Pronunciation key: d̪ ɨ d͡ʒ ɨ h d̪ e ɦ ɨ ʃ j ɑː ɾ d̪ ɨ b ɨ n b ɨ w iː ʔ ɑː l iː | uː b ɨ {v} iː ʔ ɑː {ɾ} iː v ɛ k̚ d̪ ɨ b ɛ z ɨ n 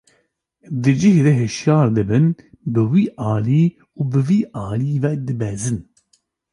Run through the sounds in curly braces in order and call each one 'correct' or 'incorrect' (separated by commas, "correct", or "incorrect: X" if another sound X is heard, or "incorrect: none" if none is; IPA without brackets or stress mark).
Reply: correct, incorrect: l